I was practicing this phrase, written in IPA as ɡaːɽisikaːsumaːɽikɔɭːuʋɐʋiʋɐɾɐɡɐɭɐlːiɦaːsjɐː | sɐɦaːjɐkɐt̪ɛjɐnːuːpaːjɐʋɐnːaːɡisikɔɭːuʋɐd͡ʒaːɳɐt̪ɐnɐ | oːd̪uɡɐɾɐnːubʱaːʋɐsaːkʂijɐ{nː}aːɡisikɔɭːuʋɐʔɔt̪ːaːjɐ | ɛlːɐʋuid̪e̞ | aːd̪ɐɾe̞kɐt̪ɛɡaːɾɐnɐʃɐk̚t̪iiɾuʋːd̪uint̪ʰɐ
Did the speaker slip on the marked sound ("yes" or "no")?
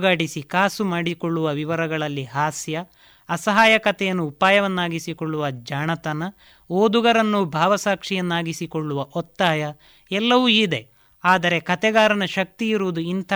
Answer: no